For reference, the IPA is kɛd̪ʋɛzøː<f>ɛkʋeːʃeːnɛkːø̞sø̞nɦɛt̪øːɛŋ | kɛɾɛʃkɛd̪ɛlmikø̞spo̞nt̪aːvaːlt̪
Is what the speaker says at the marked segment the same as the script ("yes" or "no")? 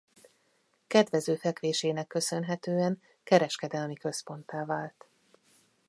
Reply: yes